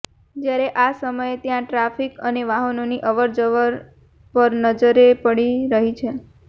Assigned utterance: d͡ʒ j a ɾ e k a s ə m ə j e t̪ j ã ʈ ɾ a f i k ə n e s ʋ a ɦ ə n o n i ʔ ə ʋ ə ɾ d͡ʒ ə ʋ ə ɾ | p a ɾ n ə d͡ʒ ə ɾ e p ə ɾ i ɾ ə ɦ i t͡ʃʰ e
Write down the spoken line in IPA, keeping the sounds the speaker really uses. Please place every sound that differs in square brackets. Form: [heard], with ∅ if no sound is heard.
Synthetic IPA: d͡ʒ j a ɾ e [ʔ] a s ə m ə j e t̪ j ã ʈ ɾ a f i k ə n e [∅] ʋ a ɦ ə n o n i ʔ ə ʋ ə ɾ d͡ʒ ə ʋ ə ɾ | p [ə] ɾ n ə d͡ʒ ə ɾ e p ə [ɽ] i ɾ ə ɦ i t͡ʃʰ e